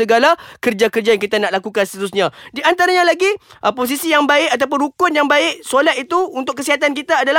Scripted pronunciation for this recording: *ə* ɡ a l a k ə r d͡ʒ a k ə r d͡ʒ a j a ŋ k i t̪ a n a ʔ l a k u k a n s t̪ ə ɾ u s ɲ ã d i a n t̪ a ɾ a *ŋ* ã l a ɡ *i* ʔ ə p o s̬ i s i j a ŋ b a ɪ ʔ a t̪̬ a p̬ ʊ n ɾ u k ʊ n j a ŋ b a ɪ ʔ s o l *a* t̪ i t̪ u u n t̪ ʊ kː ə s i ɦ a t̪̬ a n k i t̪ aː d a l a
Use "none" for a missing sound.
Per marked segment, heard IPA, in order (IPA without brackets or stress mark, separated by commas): ə, ɲ, i, a